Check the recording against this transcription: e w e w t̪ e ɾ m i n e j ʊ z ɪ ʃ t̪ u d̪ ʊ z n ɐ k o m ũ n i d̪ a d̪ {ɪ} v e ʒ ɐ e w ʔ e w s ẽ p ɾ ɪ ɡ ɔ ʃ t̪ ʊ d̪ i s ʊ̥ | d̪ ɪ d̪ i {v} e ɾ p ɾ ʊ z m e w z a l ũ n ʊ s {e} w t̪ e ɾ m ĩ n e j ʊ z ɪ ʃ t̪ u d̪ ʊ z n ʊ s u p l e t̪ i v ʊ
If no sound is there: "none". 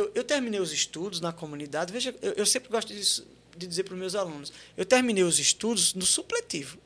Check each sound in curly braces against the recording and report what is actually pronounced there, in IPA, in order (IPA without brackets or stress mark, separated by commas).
ɪ, z, e